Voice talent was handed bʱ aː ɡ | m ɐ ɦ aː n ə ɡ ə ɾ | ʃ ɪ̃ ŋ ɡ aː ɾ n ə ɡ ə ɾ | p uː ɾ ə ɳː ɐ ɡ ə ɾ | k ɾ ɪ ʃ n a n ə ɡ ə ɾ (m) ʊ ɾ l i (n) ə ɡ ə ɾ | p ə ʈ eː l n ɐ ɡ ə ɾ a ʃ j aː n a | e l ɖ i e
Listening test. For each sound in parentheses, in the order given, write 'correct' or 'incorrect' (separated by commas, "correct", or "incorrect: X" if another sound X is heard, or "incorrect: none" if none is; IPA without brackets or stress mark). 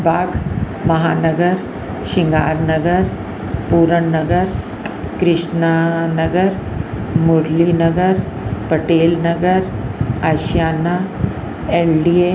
correct, correct